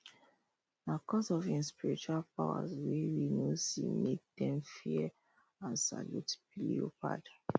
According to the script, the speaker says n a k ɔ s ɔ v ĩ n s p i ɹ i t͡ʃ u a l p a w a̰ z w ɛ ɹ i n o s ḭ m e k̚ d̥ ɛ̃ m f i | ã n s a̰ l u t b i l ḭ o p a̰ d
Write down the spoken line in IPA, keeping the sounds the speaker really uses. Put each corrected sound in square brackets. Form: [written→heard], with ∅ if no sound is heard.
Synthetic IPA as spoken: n a k ɔ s ɔ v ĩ n s p i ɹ i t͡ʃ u a l p a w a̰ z w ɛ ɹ i n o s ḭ m e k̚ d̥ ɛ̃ m f i | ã n s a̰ l u t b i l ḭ o p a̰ d